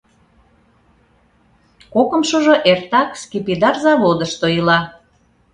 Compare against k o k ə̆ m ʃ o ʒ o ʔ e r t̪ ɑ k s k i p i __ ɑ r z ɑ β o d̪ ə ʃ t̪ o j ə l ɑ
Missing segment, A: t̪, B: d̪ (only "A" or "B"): B